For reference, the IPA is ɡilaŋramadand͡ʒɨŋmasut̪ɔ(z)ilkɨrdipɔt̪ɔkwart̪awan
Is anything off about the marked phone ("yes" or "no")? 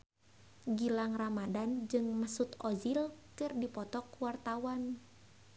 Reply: no